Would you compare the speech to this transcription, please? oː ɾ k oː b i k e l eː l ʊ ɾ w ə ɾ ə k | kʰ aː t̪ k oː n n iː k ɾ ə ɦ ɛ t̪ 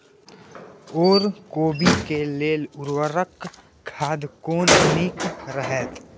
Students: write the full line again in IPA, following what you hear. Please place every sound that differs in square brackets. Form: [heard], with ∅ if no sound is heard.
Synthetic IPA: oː ɾ k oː b i k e l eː l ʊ ɾ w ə ɾ ə k | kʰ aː [d̪] k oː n n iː k ɾ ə ɦ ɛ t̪

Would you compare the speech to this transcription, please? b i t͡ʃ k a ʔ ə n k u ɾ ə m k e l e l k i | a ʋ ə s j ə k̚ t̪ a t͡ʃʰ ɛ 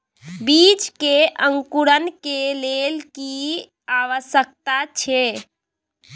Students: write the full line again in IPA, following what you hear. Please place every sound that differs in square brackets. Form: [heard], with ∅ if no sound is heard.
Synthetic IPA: b i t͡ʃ k [e] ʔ ə [ŋ] k u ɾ ə [n] k e l e l k i | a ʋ ə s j ə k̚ t̪ a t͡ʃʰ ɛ

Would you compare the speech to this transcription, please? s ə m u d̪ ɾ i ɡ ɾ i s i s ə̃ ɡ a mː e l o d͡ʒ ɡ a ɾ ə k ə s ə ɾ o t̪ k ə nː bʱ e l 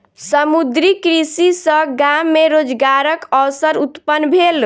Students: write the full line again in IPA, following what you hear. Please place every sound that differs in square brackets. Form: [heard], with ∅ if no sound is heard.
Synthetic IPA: s ə m u d̪ ɾ i [k] ɾ i s i s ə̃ ɡ a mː e [ɾ] o d͡ʒ ɡ a ɾ ə k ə s ə ɾ [u] t̪ [p] ə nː bʱ e l

